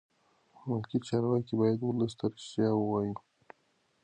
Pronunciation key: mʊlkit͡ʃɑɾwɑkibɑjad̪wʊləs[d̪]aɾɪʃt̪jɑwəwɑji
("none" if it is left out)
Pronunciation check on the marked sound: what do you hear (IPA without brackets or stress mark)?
t̪